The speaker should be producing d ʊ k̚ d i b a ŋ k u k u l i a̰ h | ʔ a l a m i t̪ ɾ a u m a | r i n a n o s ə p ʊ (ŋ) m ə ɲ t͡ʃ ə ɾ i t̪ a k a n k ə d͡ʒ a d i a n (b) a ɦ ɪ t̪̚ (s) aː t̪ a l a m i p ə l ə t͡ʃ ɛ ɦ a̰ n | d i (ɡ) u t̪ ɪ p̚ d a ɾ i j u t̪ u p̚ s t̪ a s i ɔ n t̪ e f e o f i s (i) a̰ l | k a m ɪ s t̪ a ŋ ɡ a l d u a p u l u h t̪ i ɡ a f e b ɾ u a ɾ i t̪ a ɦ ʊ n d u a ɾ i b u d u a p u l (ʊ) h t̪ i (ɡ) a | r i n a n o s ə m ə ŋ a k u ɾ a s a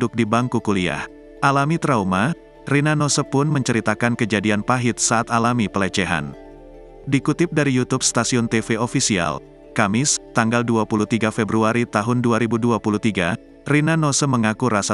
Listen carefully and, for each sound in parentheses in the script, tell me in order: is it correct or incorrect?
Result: incorrect, incorrect, correct, incorrect, correct, incorrect, correct

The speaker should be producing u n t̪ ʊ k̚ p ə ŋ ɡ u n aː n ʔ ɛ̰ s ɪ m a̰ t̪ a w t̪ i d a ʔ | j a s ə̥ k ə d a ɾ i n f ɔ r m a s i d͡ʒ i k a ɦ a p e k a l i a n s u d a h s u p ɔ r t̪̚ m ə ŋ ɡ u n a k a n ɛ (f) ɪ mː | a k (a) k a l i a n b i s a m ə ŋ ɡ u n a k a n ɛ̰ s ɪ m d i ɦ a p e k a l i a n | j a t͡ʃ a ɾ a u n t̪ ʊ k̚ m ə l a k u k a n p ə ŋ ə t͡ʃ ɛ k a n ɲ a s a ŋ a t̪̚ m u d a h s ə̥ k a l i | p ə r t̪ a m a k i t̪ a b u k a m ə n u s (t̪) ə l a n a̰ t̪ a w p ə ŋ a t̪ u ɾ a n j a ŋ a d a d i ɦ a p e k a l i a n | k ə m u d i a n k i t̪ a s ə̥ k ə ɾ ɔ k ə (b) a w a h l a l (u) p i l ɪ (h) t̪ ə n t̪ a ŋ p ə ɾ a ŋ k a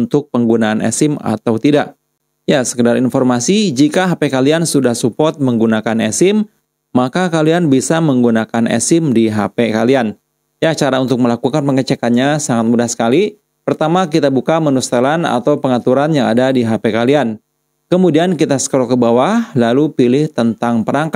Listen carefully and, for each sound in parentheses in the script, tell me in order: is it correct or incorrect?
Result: incorrect, correct, correct, correct, correct, correct

